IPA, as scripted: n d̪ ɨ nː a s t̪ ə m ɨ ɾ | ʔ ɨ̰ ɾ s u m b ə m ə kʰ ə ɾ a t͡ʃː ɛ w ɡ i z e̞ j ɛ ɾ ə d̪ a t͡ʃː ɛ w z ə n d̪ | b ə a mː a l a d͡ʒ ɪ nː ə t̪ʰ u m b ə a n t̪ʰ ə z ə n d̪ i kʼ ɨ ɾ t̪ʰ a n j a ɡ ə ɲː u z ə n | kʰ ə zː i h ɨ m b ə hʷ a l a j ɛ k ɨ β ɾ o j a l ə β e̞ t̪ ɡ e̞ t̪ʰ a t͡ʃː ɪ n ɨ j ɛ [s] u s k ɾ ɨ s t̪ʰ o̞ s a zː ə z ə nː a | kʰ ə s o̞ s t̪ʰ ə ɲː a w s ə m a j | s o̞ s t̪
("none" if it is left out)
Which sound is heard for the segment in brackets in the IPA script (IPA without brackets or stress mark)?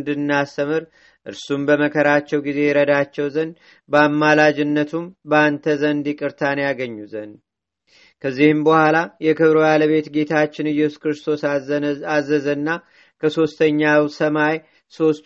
s